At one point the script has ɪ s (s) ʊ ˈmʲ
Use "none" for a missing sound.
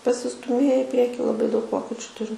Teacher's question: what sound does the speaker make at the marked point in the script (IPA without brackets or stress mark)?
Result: t